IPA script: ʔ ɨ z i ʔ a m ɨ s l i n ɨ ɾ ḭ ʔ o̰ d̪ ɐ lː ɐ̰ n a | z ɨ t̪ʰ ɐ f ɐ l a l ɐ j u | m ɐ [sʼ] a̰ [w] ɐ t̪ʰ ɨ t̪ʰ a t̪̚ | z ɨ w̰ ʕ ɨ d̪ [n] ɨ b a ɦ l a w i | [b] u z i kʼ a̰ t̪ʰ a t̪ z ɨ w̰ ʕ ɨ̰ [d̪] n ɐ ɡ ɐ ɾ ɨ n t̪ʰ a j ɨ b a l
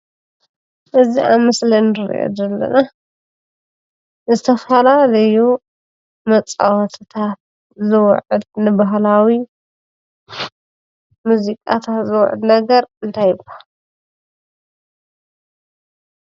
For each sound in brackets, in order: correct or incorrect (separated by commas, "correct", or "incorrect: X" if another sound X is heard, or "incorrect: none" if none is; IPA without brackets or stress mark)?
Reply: incorrect: t͡sʼ, correct, correct, incorrect: m, correct